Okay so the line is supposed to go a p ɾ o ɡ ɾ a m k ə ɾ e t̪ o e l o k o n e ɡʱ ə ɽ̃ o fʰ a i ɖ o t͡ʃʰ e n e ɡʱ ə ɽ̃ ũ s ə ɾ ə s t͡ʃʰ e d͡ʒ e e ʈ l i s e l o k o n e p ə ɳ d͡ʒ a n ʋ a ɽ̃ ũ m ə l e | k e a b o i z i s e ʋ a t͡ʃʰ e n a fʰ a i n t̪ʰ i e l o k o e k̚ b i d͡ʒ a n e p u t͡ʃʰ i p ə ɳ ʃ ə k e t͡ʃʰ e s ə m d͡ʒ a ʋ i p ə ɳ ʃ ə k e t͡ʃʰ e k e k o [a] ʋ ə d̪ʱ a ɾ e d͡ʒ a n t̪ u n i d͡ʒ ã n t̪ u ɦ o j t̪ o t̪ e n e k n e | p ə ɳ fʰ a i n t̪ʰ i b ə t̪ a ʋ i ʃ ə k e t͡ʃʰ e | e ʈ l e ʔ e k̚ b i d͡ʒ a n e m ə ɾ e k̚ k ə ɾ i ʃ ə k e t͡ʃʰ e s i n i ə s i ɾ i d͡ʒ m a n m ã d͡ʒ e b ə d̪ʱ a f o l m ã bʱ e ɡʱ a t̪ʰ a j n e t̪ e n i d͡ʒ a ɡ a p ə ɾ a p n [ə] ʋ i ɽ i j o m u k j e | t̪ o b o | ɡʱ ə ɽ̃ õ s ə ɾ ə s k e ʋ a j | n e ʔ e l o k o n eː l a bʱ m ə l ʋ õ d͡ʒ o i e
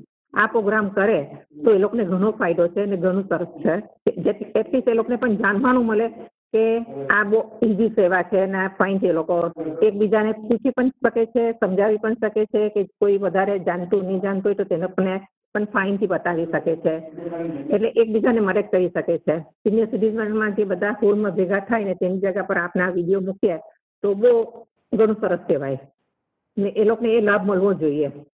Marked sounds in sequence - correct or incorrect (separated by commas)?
incorrect, incorrect